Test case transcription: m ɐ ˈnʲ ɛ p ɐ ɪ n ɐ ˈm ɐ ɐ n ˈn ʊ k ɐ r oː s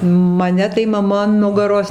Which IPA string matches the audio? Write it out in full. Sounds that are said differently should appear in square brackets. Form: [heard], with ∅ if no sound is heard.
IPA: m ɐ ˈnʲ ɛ [t] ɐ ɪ [m] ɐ ˈm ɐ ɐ n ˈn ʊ [ɡ] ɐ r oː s